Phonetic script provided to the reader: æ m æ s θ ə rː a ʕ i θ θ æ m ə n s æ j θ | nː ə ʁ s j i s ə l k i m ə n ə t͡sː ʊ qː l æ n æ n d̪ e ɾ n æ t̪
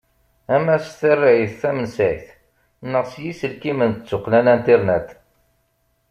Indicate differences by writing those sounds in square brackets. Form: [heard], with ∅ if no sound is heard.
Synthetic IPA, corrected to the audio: æ m æ s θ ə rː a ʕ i θ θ æ m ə n s æ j θ | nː ə ʁ s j i s ə l k i m ə n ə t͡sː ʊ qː l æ n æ n [t̪] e ɾ n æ t̪